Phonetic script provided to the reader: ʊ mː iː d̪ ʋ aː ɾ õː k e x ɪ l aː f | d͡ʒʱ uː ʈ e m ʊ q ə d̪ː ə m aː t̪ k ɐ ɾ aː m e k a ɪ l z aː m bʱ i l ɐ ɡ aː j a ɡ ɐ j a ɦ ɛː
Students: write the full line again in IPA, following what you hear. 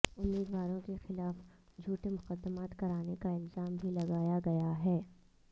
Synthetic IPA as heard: ʊ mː iː d̪ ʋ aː ɾ õ k e x ɪ l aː f | d͡ʒʱ uː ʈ e m ʊ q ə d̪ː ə m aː t̪ k ɐ ɾ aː n e k a ɪ l z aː m bʱ i l ɐ ɡ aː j a ɡ ɐ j a ɦ ɛː